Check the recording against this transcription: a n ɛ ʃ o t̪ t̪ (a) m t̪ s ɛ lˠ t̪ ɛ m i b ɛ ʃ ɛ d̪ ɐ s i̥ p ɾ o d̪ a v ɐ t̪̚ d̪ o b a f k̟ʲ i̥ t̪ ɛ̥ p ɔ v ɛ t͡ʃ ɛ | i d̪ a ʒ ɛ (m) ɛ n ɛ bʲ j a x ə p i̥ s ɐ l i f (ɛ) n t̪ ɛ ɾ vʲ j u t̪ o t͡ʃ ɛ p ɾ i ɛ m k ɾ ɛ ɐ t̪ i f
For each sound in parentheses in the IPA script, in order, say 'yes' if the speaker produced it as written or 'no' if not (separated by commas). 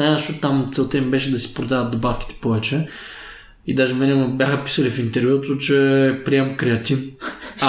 yes, yes, no